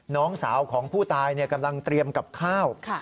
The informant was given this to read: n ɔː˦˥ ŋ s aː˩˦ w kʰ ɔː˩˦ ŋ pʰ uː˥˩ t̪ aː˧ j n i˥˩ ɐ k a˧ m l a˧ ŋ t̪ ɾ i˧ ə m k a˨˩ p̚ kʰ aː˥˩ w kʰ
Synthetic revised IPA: n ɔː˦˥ ŋ s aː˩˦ w kʰ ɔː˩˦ ŋ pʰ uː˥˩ t̪ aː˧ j n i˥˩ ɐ k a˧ m l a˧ ŋ t̪ ɾ i˧ ə m k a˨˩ p̚ kʰ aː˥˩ w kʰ